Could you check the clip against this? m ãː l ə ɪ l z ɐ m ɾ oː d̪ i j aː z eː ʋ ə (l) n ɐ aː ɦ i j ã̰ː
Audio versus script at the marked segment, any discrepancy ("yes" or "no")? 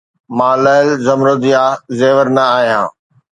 yes